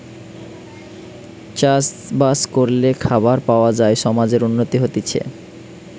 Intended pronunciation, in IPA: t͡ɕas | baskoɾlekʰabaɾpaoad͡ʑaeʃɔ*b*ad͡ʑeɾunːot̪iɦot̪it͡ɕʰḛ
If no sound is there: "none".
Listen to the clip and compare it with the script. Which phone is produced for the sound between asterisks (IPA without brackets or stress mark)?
m